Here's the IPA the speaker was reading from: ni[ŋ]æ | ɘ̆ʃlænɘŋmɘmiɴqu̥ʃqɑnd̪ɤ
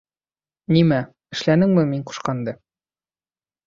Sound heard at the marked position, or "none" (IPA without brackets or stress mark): m